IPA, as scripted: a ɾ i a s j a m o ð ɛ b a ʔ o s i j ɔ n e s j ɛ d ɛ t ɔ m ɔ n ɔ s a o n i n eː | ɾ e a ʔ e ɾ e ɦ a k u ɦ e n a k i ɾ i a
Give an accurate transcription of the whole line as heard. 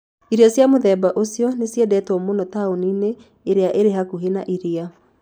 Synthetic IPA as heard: i ɾ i a s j a m o ð ɛ b a ʔ o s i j ɔ n e s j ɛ d ɛ t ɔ m o n ɔ t a o n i n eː | ɾ e a ʔ e ɾ e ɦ a k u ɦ e n a ʔ i ɾ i a